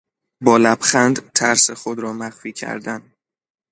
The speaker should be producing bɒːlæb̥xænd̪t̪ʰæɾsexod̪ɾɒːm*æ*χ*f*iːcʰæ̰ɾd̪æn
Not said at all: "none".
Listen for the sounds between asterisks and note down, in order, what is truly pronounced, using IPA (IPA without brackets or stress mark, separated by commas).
æ, f